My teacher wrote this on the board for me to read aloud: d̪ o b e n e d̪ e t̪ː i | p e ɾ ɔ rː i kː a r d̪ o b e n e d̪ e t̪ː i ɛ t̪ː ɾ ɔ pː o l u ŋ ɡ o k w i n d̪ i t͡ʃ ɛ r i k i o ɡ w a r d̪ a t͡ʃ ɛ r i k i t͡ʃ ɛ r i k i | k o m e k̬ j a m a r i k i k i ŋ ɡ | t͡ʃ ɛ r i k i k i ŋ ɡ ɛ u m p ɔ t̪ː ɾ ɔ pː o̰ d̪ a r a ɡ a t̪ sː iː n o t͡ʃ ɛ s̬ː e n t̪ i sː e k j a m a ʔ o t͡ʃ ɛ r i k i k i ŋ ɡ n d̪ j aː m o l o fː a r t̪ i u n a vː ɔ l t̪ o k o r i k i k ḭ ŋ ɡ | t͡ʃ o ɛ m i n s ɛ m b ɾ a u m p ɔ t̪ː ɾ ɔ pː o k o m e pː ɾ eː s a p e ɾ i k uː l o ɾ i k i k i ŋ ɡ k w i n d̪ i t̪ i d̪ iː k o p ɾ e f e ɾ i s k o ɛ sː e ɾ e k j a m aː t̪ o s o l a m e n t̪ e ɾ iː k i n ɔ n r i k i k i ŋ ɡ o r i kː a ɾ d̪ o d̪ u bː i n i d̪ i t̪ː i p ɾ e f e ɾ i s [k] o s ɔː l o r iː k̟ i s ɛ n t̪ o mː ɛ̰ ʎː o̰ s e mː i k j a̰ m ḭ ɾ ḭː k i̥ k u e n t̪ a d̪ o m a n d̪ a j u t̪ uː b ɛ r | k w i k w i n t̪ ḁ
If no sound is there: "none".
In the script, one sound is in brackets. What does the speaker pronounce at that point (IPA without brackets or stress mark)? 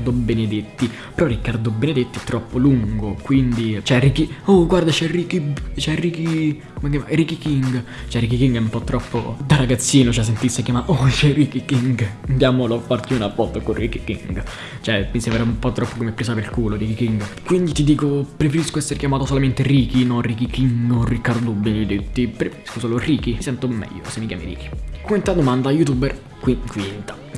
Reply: k